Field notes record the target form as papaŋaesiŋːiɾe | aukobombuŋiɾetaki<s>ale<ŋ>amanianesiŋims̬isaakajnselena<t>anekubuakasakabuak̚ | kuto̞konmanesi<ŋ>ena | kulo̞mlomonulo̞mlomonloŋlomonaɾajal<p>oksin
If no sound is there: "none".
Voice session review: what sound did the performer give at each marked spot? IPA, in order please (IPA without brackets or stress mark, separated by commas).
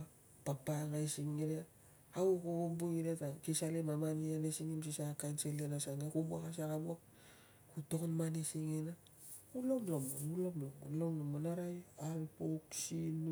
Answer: s, m, s, ŋ, p